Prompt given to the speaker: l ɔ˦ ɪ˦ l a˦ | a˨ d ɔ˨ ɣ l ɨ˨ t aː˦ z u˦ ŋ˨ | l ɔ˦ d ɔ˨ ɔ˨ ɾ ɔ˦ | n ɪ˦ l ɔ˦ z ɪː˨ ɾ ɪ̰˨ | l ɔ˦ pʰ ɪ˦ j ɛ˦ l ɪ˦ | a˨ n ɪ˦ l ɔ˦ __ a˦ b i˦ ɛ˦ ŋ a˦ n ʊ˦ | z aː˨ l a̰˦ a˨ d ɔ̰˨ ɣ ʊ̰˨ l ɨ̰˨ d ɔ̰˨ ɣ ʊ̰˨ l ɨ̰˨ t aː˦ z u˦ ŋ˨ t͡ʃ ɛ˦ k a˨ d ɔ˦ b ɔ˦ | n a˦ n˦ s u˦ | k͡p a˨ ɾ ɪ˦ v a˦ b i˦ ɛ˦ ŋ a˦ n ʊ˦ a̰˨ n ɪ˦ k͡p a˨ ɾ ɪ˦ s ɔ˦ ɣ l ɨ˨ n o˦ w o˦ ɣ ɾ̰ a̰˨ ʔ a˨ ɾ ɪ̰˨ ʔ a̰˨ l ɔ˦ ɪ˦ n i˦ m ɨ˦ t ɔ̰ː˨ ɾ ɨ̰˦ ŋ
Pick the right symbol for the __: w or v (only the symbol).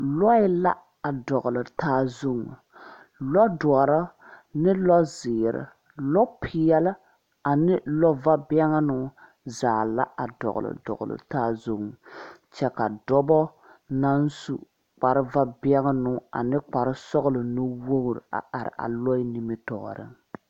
v